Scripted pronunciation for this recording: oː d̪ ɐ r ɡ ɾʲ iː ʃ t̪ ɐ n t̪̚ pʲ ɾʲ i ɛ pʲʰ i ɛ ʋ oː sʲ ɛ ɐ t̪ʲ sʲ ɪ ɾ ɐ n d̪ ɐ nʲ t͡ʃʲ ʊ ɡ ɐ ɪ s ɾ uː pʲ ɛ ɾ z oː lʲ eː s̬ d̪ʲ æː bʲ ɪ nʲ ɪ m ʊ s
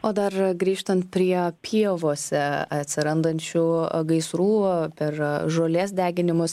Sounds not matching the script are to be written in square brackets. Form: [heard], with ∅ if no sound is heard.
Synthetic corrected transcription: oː d̪ ɐ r ɡ ɾʲ iː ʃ t̪ ɐ n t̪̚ pʲ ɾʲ i ɛ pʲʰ i ɛ ʋ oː sʲ ɛ ɐ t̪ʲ sʲ ɪ ɾ ɐ n d̪ ɐ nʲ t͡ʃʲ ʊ ɡ ɐ ɪ s ɾ uː pʲ ɛ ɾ [ʒ] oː lʲ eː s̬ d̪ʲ æː [ɡʲ] ɪ nʲ ɪ m ʊ s